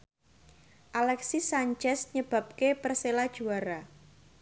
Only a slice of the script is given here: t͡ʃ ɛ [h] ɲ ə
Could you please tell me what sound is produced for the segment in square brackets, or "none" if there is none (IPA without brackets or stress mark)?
s